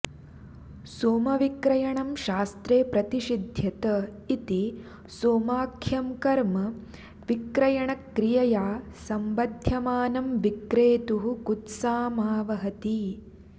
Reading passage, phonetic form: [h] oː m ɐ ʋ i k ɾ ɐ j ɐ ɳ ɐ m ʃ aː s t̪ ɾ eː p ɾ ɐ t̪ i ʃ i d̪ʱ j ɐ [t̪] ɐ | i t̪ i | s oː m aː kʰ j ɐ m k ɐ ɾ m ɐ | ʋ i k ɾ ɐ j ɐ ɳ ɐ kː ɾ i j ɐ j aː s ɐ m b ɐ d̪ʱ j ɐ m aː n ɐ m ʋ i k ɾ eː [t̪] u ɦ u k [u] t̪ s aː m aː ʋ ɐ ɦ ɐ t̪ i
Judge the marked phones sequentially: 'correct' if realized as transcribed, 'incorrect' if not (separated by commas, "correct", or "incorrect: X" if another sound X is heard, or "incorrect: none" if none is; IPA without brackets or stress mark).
incorrect: s, correct, correct, correct